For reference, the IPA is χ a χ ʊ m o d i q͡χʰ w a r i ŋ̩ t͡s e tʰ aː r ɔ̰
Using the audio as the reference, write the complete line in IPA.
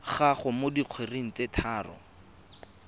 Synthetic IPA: χ a χ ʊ m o d i q͡χʰ w e r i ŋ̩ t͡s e tʰ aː r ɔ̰